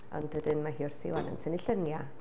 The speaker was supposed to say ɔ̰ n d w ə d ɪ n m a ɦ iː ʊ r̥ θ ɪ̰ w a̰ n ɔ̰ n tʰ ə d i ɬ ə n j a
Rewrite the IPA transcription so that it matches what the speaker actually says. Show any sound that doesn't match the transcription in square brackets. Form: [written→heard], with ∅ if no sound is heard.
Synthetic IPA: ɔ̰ n d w ə d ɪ n m a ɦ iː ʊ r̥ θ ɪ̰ w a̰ n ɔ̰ n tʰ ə [d→n] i ɬ ə n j a